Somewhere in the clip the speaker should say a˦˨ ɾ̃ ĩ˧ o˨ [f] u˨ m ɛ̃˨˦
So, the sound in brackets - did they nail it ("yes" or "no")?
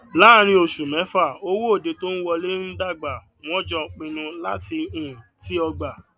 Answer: no